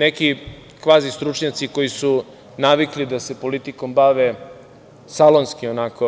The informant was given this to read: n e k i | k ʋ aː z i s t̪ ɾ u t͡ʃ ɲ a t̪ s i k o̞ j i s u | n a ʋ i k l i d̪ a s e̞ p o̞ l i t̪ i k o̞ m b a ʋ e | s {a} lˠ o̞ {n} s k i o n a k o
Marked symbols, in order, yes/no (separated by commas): yes, yes